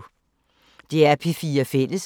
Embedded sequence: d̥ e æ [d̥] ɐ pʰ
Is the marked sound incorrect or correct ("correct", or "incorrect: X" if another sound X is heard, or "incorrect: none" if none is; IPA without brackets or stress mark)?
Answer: incorrect: none